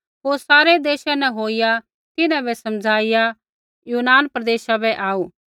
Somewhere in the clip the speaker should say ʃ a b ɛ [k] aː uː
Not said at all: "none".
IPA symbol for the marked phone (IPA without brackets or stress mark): ʔ